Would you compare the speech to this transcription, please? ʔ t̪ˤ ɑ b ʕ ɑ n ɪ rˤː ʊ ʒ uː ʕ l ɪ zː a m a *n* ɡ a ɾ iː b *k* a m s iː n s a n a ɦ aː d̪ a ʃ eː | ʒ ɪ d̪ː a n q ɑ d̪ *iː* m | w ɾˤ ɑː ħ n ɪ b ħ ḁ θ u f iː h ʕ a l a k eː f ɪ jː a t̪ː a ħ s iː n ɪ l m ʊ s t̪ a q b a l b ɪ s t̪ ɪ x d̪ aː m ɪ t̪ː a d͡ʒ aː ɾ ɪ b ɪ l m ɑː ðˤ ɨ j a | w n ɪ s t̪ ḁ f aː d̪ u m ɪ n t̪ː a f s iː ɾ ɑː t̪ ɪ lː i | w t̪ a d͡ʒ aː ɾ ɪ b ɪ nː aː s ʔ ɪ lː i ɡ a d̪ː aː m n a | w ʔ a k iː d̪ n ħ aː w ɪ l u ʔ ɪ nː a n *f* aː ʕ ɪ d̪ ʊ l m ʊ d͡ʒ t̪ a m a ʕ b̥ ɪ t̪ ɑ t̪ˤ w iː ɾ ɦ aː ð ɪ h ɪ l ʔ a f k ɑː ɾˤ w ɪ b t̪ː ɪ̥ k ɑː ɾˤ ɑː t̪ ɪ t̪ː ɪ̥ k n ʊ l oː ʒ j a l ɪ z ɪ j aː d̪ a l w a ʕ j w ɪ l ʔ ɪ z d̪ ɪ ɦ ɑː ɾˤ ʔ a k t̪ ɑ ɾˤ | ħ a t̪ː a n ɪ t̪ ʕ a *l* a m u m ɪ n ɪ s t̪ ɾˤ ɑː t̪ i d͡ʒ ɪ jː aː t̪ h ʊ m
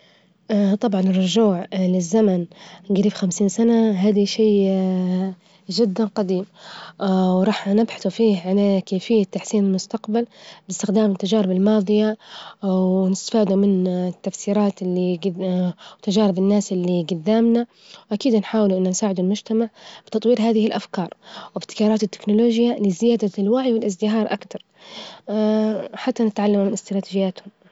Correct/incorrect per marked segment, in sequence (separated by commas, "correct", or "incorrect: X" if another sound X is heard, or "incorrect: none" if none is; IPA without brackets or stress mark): correct, incorrect: x, correct, incorrect: s, incorrect: lː